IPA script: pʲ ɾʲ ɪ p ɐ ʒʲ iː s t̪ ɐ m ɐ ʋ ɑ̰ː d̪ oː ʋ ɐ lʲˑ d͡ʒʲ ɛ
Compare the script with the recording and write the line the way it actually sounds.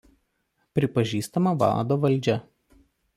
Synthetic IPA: pʲ ɾʲ ɪ p ɐ ʒʲ iː s t̪ ɐ m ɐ ʋ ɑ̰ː d̪ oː ʋ ɐ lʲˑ d͡ʒʲ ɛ

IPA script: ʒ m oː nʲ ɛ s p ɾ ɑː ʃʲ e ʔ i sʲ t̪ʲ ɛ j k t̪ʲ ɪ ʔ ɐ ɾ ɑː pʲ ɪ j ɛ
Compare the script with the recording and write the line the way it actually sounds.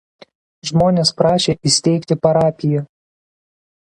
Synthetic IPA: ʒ m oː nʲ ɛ s p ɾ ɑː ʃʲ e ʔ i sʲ t̪ʲ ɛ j k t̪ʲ ɪ p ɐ ɾ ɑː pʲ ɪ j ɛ

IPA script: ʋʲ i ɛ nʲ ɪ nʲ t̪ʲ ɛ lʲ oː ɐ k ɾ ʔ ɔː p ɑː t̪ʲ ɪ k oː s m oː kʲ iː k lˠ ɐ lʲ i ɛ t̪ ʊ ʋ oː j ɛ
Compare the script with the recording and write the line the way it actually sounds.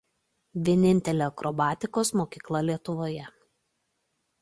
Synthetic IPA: ʋʲ i ɛ nʲ ɪ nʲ t̪ʲ ɛ lʲ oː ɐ k ɾ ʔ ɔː b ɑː t̪ʲ ɪ k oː s m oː kʲ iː k lˠ ɐ lʲ i ɛ t̪ ʊ ʋ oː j ɛ

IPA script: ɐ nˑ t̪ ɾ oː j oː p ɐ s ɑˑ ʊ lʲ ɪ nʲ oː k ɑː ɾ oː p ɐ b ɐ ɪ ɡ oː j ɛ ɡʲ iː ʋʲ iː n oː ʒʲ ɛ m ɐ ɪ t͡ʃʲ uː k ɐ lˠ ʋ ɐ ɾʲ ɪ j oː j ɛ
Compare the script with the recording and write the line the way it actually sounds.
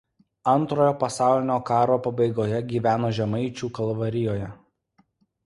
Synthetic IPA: ɐ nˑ t̪ ɾ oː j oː p ɐ s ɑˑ ʊ lʲ ɪ nʲ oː k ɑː ɾ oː p ɐ b ɐ ɪ ɡ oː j ɛ ɡʲ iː ʋʲ æː n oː ʒʲ ɛ m ɐ ɪ t͡ʃʲ uː k ɐ lˠ ʋ ɐ ɾʲ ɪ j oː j ɛ

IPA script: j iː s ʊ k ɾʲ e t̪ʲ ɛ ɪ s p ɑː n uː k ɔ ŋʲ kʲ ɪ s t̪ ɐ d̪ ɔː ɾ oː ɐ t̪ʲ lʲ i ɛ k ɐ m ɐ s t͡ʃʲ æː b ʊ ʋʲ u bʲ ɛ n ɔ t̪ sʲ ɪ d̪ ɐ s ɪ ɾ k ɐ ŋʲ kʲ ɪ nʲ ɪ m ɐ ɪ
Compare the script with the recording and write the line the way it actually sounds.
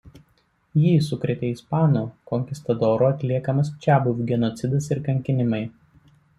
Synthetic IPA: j iː s ʊ k ɾʲ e t̪ʲ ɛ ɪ s p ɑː n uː k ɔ ŋʲ kʲ ɪ s t̪ ɐ d̪ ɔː ɾ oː ɐ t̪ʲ lʲ i ɛ k ɐ m ɐ s t͡ʃʲ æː b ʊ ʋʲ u ɡʲ ɛ n ɔ t̪ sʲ ɪ d̪ ɐ s ɪ ɾ k ɐ ŋʲ kʲ ɪ nʲ ɪ m ɐ ɪ

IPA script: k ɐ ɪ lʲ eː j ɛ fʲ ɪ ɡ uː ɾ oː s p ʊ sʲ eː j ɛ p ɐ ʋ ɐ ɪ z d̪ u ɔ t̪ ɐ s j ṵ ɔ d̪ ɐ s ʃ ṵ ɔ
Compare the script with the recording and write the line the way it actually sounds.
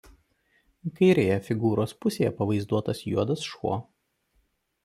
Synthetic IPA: k ɐ ɪ ɾʲ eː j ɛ fʲ ɪ ɡ uː ɾ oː s p ʊ sʲ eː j ɛ p ɐ ʋ ɐ ɪ z d̪ u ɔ t̪ ɐ s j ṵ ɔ d̪ ɐ s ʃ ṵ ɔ

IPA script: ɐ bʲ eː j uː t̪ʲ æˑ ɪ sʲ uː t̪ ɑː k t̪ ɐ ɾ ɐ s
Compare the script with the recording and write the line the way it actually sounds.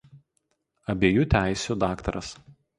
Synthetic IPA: ɐ bʲ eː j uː t̪ʲ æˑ ɪ sʲ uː d̪ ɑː k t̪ ɐ ɾ ɐ s

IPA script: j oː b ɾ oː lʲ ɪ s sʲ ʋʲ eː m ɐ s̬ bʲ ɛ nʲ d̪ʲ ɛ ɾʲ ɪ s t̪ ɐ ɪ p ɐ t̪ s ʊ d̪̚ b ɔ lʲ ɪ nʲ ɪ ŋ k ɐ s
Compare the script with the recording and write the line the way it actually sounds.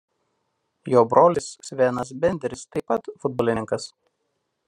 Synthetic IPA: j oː b ɾ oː lʲ ɪ s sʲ ʋʲ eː n ɐ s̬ bʲ ɛ nʲ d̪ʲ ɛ ɾʲ ɪ s t̪ ɐ ɪ p ɐ t̪ f ʊ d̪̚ b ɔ lʲ ɪ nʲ ɪ ŋ k ɐ s

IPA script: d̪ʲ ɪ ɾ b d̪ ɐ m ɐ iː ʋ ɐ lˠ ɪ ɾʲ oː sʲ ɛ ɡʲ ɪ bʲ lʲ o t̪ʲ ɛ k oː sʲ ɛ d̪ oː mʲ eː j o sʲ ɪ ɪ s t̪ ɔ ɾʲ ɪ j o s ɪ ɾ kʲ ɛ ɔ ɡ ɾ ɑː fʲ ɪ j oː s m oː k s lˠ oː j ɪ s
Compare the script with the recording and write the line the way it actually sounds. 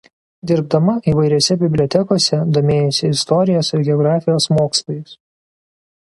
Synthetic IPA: d̪ʲ ɪ ɾ b d̪ ɐ m ɐ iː ʋ ɐ ɪ ɾʲ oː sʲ ɛ bʲ ɪ bʲ lʲ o t̪ʲ ɛ k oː sʲ ɛ d̪ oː mʲ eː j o sʲ ɪ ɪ s t̪ ɔ ɾʲ ɪ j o s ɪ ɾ ɡʲ ɛ ɔ ɡ ɾ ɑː fʲ ɪ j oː s m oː k s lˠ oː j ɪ s

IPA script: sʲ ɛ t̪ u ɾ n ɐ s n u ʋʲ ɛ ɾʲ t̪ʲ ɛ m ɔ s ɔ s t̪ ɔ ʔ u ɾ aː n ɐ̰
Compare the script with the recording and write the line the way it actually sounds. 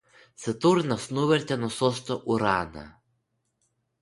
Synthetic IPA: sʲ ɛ t̪ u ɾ n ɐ s n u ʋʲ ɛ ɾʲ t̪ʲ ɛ n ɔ s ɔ s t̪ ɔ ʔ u ɾ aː n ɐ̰

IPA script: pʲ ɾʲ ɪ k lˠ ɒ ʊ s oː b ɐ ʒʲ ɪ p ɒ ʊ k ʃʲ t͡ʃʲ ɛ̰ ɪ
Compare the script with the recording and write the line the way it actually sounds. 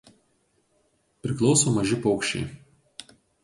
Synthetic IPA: pʲ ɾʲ ɪ k lˠ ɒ ʊ s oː m ɐ ʒʲ ɪ p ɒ ʊ k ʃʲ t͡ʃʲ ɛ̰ ɪ

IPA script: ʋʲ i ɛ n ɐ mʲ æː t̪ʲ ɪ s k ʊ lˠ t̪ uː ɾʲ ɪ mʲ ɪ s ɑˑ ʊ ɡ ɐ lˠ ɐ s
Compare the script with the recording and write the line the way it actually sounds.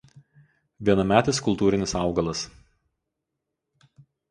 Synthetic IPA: ʋʲ i ɛ n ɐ mʲ æː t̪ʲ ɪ s k ʊ lˠ t̪ uː ɾʲ ɪ nʲ ɪ s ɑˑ ʊ ɡ ɐ lˠ ɐ s

